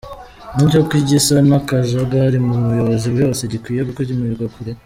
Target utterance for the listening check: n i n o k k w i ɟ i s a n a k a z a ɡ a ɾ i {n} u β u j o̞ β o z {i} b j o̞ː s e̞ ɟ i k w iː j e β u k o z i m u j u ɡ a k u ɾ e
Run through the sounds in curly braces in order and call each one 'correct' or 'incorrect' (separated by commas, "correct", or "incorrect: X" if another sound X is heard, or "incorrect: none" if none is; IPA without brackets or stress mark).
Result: incorrect: m, correct